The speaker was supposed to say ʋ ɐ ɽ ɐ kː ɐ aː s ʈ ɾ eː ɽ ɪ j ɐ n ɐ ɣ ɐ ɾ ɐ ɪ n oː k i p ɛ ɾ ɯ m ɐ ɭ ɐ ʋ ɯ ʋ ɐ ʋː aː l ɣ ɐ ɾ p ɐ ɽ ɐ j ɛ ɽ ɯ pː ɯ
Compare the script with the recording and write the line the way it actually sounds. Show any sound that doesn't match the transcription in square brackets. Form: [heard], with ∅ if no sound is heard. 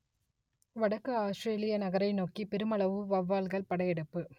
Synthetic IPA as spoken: ʋ ɐ ɽ ɐ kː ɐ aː s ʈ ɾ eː [l] ɪ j ɐ n ɐ ɣ ɐ ɾ ɐ ɪ n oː k i p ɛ ɾ ɯ m ɐ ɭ ɐ ʋ ɯ ʋ ɐ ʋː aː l ɣ ɐ [ɭ] p ɐ ɽ ɐ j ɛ ɽ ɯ pː ɯ